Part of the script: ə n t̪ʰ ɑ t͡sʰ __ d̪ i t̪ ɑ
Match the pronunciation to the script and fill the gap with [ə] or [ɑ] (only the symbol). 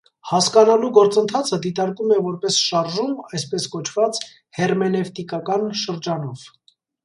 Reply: ə